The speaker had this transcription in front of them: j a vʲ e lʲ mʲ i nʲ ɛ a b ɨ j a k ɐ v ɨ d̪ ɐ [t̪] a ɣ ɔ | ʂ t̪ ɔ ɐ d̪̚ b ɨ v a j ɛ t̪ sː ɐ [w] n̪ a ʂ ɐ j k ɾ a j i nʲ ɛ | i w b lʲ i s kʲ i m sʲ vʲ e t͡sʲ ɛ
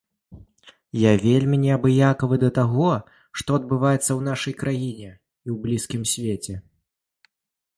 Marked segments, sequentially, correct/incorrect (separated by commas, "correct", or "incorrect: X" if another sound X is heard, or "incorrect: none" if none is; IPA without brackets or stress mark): correct, correct